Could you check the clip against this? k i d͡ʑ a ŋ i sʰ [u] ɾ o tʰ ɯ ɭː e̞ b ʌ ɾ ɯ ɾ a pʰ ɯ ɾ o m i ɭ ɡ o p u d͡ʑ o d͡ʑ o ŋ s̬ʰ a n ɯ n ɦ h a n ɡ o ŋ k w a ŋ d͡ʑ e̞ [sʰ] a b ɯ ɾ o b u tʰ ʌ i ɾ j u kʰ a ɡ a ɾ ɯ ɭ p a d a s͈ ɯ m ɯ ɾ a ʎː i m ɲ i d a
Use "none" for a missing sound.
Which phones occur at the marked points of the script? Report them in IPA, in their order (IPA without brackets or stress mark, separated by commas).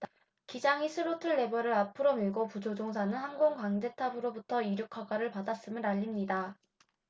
ɯ, tʰ